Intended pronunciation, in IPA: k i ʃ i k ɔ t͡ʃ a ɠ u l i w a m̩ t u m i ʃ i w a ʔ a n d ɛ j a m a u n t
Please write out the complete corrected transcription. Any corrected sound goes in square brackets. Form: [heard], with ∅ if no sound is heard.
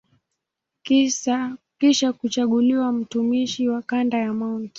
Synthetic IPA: k i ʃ [a] k [u] t͡ʃ a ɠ u l i w a m̩ t u m i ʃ i w a [k] a n d [a] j a m a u n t